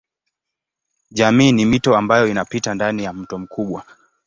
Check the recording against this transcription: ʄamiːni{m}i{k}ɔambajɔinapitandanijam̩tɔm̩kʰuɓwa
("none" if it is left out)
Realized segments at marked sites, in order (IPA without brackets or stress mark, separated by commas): m, t